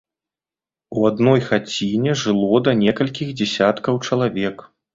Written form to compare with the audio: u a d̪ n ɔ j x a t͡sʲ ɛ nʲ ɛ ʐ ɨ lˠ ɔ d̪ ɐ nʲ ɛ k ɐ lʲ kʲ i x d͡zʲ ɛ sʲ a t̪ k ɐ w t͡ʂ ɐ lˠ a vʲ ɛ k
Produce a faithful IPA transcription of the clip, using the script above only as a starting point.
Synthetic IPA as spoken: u a d̪ n ɔ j x a t͡sʲ i nʲ ɛ ʐ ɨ lˠ ɔ d̪ ɐ nʲ ɛ k ɐ lʲ kʲ i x d͡zʲ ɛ sʲ a t̪ k ɐ w t͡ʂ ɐ lˠ a vʲ ɛ k